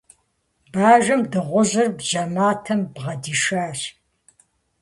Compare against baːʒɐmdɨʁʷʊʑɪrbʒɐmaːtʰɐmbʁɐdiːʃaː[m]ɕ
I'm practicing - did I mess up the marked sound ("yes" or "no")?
yes